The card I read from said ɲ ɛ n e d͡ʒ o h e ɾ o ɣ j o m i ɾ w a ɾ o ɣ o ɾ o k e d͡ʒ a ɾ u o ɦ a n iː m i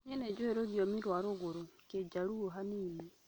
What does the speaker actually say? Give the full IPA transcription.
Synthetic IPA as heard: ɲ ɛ n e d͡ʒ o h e ɾ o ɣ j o m i ɾ w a ɾ o ɣ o ɾ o k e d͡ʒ a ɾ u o ɦ a n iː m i